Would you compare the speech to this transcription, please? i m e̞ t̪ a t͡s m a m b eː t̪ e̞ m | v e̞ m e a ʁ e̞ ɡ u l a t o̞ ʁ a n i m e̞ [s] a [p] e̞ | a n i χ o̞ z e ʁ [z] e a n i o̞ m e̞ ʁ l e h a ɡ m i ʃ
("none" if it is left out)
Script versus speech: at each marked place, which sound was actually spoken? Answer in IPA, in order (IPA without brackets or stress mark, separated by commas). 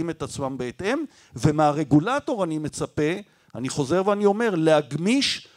t͡s, p, v